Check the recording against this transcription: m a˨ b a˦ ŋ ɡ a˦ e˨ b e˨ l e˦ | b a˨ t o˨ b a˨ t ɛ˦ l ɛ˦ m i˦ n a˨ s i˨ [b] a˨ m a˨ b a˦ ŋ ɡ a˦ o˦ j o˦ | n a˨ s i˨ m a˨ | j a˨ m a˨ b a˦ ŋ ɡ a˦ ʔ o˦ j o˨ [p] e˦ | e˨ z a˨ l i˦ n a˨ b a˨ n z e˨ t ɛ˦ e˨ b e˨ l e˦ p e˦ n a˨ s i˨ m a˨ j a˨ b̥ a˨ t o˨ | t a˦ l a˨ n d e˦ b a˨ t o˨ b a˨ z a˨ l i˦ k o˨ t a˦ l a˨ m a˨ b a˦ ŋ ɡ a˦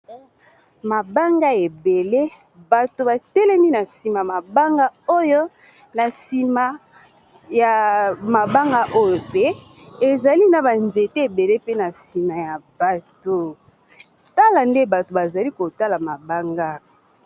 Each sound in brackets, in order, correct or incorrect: incorrect, correct

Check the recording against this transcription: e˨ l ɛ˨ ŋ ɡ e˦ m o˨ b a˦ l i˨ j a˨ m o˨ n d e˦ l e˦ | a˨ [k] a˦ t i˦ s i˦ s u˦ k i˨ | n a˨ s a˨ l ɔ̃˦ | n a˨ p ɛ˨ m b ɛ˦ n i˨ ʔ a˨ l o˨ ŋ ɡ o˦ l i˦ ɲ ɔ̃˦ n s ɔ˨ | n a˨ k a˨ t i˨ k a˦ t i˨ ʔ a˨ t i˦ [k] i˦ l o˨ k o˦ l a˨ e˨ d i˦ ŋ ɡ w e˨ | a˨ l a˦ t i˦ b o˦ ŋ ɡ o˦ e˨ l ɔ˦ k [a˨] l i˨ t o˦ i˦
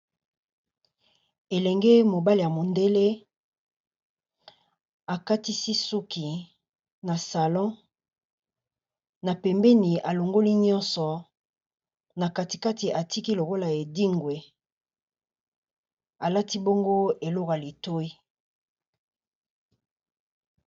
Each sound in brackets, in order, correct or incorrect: correct, correct, correct

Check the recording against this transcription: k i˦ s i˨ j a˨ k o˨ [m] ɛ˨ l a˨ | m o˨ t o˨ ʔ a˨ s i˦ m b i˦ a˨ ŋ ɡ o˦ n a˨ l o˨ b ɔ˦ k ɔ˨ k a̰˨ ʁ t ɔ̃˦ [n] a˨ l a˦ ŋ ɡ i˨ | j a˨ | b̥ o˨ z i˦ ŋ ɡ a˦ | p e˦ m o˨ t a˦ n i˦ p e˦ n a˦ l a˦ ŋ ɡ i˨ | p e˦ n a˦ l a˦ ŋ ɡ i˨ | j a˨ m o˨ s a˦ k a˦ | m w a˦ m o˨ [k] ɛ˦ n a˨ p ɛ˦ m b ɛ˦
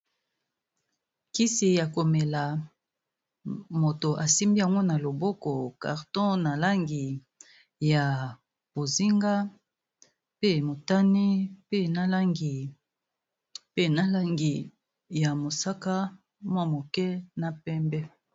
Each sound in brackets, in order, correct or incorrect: correct, correct, correct

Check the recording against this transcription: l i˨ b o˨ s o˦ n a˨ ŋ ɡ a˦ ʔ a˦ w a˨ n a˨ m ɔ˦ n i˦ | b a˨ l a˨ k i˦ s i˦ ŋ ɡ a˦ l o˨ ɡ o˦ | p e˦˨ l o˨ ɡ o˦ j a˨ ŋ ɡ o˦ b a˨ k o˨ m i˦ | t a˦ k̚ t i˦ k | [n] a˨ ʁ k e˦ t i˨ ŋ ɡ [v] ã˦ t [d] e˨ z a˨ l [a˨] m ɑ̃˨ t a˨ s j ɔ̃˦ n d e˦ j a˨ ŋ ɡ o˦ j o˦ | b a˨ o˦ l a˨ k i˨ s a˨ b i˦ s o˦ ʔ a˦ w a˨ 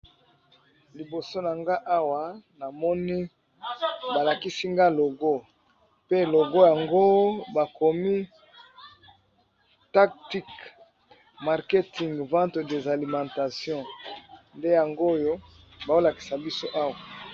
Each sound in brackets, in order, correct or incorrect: incorrect, correct, correct, incorrect

